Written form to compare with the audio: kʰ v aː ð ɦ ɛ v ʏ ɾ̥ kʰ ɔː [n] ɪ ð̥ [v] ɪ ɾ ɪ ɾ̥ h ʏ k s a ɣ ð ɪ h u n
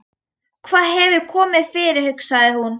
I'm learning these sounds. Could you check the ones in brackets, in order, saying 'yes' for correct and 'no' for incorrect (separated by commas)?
no, no